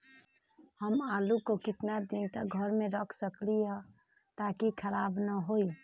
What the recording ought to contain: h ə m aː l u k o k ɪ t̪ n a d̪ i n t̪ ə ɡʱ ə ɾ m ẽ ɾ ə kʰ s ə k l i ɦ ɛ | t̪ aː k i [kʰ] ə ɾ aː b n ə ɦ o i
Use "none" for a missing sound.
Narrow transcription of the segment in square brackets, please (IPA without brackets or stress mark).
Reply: kʰ